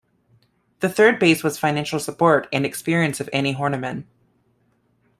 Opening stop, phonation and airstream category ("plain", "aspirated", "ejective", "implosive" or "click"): plain